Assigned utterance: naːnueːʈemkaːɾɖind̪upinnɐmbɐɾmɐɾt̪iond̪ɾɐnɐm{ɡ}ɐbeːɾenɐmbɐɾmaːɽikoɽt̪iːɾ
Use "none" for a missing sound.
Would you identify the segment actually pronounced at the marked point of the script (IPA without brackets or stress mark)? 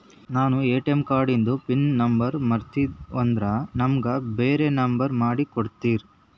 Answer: ɡ